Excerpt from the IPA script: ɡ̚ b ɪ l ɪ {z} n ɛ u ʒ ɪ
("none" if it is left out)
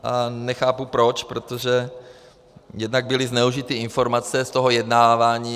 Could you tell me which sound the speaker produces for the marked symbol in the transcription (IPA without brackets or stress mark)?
z